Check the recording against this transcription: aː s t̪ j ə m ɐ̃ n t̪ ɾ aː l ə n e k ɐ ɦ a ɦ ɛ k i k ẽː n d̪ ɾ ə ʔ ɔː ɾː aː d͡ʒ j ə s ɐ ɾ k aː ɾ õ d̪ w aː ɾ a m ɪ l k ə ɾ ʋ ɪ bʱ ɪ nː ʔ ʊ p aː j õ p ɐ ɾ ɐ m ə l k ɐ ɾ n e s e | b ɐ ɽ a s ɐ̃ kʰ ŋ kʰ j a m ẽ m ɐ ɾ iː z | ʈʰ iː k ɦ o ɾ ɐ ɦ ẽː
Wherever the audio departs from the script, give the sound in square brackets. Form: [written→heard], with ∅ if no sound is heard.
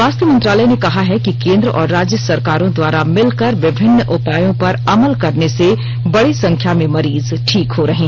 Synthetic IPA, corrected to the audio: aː s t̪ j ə m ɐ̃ n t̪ ɾ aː l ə n e k ɐ ɦ a ɦ ɛ k i k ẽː n d̪ ɾ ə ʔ ɔː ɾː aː d͡ʒ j ə s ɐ ɾ k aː ɾ õ d̪ w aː ɾ a m ɪ l k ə ɾ ʋ ɪ bʱ ɪ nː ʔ ʊ p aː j õ p ɐ ɾ ɐ m ə l k ɐ ɾ n e s e | b ɐ ɽ [a→i] s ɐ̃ [kʰ→∅] ŋ kʰ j a m ẽ m ɐ ɾ iː z | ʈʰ iː k ɦ o ɾ ɐ ɦ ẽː